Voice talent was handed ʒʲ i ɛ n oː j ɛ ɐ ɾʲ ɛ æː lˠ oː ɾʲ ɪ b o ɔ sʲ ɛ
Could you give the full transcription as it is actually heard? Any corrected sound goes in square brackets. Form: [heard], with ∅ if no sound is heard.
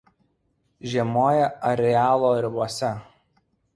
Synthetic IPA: ʒʲ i ɛ [m] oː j ɛ ɐ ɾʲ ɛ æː lˠ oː ɾʲ ɪ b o ɔ sʲ ɛ